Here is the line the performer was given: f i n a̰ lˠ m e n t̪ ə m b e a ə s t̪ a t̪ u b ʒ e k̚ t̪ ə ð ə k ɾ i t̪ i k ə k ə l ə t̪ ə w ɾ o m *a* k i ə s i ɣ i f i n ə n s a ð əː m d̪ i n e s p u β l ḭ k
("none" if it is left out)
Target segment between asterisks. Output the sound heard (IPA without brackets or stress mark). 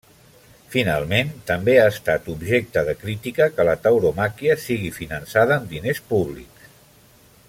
a